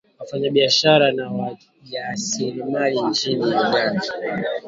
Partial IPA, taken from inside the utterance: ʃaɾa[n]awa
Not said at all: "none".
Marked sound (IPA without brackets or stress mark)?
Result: n